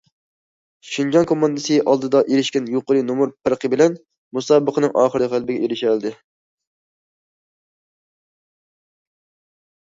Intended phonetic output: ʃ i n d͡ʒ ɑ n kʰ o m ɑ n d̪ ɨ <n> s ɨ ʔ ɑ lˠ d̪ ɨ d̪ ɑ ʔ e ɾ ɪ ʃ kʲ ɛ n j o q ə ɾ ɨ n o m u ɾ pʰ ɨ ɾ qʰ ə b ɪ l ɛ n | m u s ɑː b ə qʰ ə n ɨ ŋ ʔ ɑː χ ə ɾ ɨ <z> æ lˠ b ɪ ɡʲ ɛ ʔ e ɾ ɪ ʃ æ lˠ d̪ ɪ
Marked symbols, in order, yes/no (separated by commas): no, no